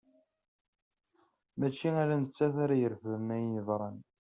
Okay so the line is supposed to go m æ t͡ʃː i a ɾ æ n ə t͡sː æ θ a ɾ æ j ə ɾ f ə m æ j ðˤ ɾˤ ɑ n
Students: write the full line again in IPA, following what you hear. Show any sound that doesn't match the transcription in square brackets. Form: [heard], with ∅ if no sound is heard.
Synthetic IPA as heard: m æ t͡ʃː i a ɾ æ n ə t͡sː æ θ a ɾ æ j ə ɾ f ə m æ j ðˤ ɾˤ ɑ n